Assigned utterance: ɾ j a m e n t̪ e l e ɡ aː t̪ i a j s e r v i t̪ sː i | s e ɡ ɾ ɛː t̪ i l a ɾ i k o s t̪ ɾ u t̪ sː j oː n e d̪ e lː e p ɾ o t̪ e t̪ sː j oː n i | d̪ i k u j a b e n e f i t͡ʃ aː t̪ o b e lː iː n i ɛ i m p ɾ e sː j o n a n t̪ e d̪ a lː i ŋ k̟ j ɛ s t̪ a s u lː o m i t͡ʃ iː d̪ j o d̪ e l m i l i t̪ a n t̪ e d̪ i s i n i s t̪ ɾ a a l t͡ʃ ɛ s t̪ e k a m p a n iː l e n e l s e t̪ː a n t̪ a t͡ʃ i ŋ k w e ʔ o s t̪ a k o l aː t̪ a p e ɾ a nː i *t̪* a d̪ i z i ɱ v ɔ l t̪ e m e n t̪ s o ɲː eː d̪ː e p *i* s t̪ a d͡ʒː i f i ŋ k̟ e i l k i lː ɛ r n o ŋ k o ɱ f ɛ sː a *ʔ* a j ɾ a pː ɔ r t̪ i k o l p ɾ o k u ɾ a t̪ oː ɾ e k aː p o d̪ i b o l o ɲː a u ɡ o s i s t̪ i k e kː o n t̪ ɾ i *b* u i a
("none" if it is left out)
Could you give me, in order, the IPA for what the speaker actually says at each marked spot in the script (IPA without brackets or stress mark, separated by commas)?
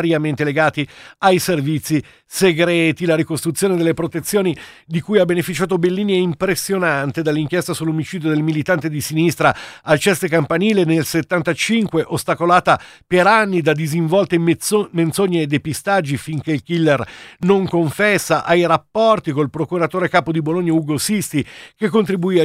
d̪, i, ʔ, b